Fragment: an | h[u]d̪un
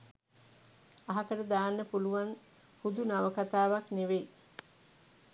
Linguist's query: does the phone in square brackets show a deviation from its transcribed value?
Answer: no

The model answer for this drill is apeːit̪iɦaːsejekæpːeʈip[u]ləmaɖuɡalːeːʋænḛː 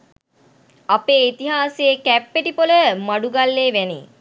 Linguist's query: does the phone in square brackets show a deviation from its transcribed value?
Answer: yes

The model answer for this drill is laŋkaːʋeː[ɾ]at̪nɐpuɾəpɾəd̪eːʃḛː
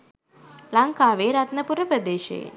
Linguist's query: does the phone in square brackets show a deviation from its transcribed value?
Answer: no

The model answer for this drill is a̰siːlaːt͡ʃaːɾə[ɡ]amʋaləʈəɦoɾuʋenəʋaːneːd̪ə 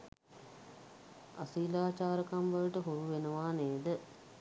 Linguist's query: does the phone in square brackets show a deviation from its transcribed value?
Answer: yes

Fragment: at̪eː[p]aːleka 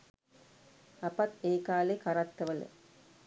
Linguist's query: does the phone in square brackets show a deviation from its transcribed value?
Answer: yes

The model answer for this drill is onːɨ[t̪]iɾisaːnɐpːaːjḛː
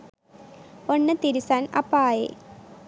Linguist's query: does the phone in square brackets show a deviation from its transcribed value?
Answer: no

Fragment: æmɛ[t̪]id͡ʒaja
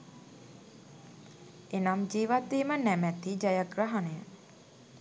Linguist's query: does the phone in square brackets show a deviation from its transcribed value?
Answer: no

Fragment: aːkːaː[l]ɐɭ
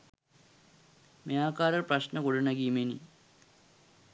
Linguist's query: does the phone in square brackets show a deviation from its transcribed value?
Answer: yes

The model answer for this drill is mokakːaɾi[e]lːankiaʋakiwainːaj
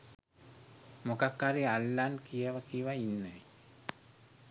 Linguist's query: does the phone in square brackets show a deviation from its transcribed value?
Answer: yes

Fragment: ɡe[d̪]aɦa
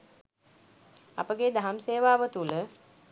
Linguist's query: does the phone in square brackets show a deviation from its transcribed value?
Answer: no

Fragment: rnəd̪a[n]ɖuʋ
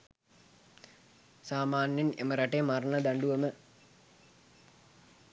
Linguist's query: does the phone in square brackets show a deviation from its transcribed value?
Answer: yes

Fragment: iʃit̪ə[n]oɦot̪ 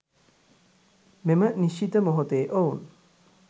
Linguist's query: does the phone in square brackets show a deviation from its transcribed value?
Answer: yes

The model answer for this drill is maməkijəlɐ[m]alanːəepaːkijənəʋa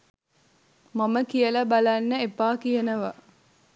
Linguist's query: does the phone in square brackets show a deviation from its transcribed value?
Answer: yes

